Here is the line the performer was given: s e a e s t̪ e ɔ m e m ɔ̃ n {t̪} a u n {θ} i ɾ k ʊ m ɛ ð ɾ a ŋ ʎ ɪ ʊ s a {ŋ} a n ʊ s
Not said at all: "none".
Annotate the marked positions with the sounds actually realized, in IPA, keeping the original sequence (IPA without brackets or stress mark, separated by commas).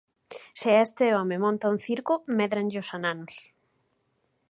t̪, θ, n